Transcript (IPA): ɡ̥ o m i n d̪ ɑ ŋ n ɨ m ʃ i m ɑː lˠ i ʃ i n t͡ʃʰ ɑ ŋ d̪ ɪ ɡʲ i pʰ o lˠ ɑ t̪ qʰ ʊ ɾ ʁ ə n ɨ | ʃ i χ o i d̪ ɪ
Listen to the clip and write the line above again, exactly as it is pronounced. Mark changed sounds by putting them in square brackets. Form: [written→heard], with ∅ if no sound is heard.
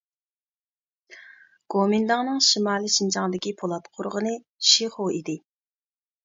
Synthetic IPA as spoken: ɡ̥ o m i n d̪ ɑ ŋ n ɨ [m→ŋ] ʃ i m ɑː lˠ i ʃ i n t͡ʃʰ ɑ ŋ d̪ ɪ [ɡʲ→kʲ] i pʰ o lˠ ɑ t̪ qʰ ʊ ɾ ʁ ə n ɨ | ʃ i χ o i d̪ ɪ